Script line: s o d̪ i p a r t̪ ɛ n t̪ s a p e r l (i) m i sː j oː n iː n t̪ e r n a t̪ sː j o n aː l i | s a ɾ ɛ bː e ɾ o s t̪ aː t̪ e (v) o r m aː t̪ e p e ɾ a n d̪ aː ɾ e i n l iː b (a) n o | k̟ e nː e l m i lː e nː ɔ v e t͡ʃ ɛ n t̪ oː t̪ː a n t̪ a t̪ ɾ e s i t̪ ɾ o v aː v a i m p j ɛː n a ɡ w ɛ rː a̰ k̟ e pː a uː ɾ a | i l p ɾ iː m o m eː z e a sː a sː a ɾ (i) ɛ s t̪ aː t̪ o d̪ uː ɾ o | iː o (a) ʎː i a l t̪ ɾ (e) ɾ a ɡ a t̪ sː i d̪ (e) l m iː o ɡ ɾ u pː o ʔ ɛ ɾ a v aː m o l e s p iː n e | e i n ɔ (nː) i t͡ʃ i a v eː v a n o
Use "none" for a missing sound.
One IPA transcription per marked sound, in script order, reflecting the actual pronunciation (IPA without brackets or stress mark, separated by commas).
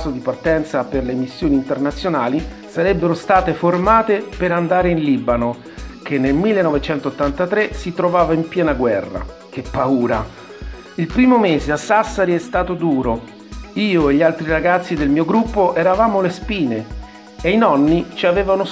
e, f, a, i, e, i, e, nː